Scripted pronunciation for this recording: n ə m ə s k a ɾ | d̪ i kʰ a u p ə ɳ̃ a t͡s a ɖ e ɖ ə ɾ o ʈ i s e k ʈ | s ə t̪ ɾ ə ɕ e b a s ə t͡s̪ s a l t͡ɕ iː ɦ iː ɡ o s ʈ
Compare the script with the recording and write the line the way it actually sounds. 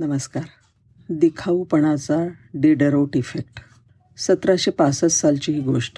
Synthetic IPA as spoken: n ə m ə s k a ɾ | d̪ i kʰ a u p ə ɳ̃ a t͡s a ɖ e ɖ ə ɾ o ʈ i f e k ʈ | s ə t̪ ɾ a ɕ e p a s ə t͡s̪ s a l t͡ɕ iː ɦ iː ɡ o ʂ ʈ